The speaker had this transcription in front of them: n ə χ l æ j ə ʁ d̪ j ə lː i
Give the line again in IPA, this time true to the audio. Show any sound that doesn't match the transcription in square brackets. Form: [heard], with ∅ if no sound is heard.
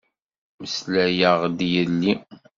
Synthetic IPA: [m] ə [s] l æ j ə ʁ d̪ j ə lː i